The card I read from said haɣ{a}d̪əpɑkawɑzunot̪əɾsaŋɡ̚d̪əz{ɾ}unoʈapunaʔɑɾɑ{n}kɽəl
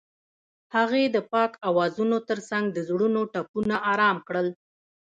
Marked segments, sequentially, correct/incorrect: incorrect: e, incorrect: ɽ, incorrect: m

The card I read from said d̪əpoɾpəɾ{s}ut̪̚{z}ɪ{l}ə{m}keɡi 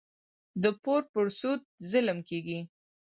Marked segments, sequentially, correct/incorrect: correct, correct, correct, correct

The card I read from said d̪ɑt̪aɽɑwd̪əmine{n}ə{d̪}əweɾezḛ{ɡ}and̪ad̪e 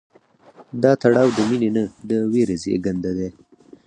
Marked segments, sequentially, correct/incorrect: correct, correct, correct

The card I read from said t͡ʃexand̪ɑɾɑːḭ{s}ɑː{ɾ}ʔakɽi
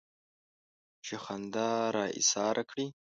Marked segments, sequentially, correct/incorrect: correct, correct

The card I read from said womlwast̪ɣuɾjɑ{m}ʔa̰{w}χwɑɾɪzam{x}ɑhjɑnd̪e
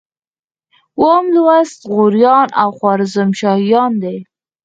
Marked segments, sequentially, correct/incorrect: incorrect: n, correct, incorrect: ʃ

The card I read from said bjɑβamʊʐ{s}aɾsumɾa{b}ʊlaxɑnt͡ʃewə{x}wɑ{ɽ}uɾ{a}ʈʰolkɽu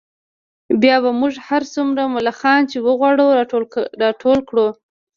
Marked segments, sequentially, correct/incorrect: incorrect: h, incorrect: m, incorrect: ɣ, correct, incorrect: ɑ

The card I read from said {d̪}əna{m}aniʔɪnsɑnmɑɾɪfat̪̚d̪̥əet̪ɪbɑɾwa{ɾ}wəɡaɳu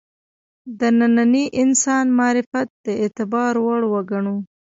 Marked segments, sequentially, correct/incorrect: correct, incorrect: n, incorrect: ɽ

